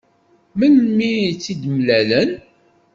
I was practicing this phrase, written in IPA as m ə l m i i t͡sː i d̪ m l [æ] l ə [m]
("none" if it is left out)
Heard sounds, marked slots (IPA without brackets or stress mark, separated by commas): æ, n